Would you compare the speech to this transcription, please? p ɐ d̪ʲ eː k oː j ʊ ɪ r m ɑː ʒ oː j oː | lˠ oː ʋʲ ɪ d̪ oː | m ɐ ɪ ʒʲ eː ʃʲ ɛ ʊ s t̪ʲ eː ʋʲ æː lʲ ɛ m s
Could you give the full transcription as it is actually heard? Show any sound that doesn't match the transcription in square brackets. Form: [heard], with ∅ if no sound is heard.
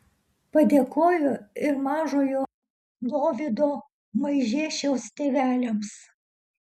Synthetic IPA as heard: p ɐ d̪ʲ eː k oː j ʊ ɪ [ɾ] m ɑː ʒ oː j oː | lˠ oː ʋʲ ɪ d̪ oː | m ɐ ɪ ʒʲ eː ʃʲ ɛ ʊ s t̪ʲ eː ʋʲ æː lʲ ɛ m s